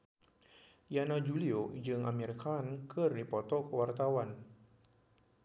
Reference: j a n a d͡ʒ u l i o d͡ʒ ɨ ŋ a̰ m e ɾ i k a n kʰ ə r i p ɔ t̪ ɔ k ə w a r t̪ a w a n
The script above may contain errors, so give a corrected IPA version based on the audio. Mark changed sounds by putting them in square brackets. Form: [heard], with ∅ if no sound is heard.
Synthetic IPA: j a n a d͡ʒ u l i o d͡ʒ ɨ ŋ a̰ m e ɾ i k a n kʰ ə r i p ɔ t̪ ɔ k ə w a r t̪ a w a n